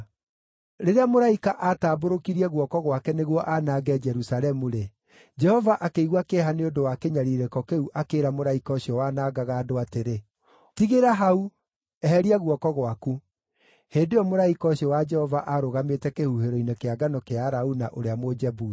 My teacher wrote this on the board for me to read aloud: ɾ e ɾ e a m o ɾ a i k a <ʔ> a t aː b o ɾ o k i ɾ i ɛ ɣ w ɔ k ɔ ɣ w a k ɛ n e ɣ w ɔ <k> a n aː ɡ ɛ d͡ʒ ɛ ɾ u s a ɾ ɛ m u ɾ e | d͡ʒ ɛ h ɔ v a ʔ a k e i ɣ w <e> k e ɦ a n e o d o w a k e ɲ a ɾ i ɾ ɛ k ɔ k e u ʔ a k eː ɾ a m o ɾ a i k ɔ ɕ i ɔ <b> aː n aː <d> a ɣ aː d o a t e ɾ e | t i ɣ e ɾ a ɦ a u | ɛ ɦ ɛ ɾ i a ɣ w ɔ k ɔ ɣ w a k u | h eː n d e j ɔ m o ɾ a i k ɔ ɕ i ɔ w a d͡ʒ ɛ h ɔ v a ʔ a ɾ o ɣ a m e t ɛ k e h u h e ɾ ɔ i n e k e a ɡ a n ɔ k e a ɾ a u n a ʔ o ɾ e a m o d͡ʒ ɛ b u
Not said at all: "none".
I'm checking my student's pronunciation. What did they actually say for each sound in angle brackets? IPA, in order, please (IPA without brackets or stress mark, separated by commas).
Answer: ʔ, ʔ, a, w, ɡ